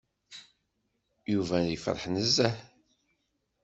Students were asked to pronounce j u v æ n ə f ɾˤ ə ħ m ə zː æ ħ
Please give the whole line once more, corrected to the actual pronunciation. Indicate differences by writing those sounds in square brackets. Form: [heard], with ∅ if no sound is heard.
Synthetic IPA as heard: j u v æ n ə f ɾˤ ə ħ [n] ə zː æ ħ